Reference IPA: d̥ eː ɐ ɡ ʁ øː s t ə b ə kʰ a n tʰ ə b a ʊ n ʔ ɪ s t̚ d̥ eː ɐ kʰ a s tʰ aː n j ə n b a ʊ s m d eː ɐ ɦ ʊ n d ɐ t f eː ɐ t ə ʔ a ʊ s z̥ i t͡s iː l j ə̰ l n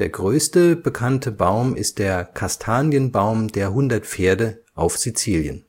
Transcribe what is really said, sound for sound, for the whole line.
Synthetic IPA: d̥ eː ɐ ɡ ʁ øː s t ə b ə kʰ a n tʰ ə b a ʊ m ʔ ɪ s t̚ d̥ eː ɐ kʰ a s tʰ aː n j ə n b a ʊ m d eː ɐ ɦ ʊ n d ɐ t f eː ɐ d ə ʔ a ʊ f z̥ i t͡s iː l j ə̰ n